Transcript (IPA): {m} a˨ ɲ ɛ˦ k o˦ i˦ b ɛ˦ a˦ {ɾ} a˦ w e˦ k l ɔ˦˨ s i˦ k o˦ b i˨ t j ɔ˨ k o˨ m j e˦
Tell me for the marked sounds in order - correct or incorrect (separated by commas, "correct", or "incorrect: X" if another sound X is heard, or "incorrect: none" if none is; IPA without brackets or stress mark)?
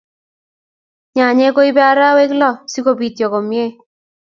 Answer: incorrect: ɲ, correct